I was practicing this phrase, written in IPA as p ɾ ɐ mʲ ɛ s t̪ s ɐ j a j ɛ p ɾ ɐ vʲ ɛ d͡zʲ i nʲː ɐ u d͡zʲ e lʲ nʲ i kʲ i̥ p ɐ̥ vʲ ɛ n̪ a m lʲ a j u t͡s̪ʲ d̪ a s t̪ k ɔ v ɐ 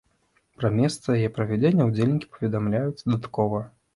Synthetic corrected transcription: p ɾ ɐ mʲ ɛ s t̪ s ɐ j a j ɛ p ɾ ɐ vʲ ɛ d͡zʲ e nʲː ɐ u d͡zʲ e lʲ nʲ i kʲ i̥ p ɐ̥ vʲ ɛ d̪ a m lʲ a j u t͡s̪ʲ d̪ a t̪ k ɔ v ɐ